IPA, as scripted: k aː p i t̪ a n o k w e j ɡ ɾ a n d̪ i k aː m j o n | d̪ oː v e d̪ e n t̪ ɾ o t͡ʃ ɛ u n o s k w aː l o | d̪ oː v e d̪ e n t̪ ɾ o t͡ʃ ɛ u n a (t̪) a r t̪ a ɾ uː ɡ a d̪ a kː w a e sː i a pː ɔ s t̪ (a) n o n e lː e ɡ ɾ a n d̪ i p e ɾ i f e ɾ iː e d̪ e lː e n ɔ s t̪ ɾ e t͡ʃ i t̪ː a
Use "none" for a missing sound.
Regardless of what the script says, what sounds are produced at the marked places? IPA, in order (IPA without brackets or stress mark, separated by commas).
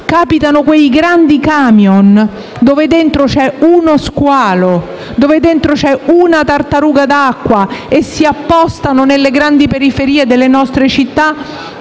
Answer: t̪, a